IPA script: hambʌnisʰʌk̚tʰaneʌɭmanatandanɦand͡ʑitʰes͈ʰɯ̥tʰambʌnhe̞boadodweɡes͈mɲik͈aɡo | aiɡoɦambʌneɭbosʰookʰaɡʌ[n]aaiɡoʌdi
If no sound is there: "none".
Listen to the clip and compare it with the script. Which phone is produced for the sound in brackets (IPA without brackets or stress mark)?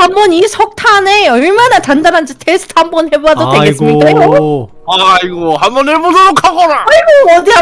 n